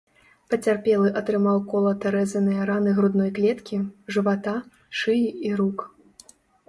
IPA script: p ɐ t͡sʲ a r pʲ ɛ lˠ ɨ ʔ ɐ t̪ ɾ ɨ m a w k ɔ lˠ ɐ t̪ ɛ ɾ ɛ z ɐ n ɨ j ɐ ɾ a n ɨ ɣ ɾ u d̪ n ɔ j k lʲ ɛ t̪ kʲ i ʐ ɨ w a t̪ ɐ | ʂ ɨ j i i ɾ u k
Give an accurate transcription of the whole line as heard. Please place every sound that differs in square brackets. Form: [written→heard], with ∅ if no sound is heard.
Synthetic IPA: p ɐ t͡sʲ a r pʲ ɛ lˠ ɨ ʔ ɐ t̪ ɾ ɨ m a w k ɔ lˠ ɐ t̪ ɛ ɾ ɛ z ɐ n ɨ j ɐ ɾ a n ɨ ɣ ɾ u d̪ n ɔ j k lʲ ɛ t̪ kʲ i ʐ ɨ [w→v] a t̪ [ɐ→a] | ʂ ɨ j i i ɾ u k